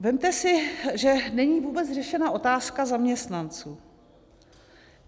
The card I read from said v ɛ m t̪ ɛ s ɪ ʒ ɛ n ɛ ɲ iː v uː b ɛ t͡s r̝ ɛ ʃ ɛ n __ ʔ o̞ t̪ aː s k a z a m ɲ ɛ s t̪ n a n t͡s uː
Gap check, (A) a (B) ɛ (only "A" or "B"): A